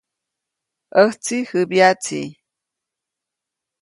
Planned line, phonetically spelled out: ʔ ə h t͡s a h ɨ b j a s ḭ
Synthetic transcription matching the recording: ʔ ə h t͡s i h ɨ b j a t͡s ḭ